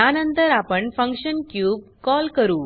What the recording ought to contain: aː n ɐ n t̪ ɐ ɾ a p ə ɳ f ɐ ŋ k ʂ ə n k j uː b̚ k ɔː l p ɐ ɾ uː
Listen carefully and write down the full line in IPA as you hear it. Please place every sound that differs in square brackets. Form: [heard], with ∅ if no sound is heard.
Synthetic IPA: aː n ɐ n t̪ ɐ ɾ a p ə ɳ f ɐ ŋ k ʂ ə n k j uː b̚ k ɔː l [k] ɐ ɾ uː